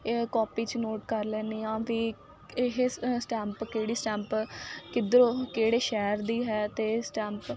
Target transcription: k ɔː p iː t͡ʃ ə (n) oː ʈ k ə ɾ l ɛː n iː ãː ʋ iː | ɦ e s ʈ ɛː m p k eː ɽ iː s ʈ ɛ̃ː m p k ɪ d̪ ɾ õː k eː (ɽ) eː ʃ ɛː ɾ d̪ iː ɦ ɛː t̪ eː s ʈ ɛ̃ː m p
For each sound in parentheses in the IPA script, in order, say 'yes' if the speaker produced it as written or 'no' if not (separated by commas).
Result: yes, yes